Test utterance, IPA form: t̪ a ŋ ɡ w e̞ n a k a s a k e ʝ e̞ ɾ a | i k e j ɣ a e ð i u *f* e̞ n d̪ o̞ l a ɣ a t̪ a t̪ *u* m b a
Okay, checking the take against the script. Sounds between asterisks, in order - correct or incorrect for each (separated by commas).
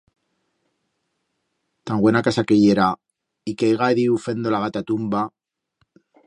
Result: correct, correct